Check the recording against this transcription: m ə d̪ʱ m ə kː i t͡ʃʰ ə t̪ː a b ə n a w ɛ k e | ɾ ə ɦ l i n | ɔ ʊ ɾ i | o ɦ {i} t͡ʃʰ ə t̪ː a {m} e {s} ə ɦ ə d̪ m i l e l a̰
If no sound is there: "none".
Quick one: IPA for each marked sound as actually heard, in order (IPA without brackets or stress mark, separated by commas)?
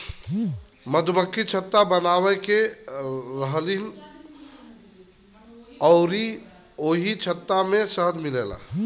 i, m, s